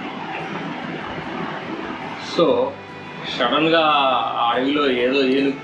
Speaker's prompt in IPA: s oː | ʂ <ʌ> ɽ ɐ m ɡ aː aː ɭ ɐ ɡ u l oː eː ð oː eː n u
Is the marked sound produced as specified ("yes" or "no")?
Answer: no